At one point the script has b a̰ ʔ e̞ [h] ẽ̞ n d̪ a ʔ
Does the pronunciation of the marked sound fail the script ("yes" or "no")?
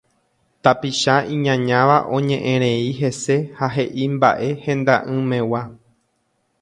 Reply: no